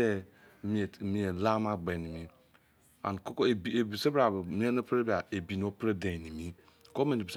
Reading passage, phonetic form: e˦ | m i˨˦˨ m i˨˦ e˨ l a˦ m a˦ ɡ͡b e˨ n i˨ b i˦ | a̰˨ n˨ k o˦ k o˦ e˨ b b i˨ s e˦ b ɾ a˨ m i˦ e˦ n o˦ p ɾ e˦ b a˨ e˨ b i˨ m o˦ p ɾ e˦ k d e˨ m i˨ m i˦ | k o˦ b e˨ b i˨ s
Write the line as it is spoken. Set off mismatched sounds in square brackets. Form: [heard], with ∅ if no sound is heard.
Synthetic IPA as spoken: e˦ | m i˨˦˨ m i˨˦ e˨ l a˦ m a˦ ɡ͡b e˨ n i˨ [m] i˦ | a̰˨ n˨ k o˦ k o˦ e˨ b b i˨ s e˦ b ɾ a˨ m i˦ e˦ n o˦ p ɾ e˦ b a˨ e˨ b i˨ [n] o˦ p ɾ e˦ [∅] d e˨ [n] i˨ m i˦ | k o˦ [m] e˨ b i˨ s